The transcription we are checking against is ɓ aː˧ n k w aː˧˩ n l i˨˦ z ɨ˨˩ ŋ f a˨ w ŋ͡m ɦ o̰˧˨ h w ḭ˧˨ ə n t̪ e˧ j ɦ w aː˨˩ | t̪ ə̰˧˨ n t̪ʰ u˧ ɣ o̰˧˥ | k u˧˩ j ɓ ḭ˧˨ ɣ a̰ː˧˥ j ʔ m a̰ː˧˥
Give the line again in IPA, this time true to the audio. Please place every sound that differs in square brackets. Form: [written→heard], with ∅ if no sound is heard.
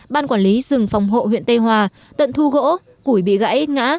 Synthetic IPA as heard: ɓ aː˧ n k w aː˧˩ n l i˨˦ z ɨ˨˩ ŋ f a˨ w ŋ͡m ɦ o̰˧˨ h w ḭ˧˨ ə n t̪ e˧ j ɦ w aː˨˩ | t̪ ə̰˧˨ n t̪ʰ u˧ ɣ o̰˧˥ | k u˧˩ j ɓ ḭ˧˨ ɣ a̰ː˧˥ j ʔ [m→ŋ] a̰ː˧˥